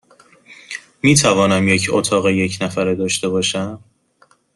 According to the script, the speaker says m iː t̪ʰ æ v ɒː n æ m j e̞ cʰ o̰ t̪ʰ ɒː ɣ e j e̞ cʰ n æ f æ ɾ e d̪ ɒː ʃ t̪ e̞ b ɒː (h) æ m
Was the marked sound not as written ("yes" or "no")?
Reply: yes